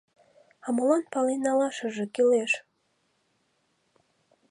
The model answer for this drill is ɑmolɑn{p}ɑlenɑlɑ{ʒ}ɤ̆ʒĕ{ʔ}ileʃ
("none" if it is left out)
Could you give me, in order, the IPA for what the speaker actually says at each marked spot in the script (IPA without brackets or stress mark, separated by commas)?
p, ʃ, k